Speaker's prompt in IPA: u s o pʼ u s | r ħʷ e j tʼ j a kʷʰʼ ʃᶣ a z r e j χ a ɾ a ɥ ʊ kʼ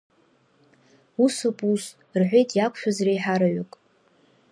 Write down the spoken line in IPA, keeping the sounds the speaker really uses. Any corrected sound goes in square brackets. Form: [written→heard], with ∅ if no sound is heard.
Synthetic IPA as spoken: u s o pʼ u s | r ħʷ e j tʼ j a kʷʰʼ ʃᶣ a z r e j [χ→ħ] a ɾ a ɥ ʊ kʼ